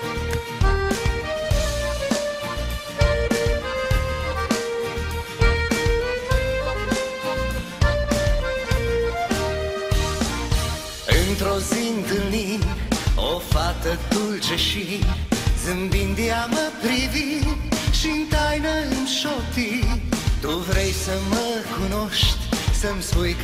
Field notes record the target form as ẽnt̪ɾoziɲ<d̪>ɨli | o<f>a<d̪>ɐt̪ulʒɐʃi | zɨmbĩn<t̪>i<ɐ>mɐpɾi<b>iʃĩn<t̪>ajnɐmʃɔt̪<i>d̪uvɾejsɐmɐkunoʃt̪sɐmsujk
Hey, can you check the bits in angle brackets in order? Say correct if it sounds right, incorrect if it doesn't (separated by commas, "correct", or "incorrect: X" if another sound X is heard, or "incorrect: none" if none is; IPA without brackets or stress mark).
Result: correct, correct, incorrect: t̪, incorrect: d̪, incorrect: a, incorrect: v, correct, correct